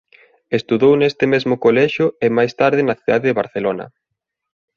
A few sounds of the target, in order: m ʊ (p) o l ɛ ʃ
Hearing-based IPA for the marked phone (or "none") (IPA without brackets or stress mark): k